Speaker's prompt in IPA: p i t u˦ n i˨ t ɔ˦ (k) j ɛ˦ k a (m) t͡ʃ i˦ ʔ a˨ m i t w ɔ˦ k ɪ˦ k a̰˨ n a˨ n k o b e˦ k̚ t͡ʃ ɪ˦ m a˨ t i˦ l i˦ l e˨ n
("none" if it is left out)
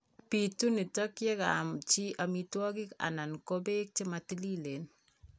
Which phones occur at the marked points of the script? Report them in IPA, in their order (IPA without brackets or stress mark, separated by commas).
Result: k, m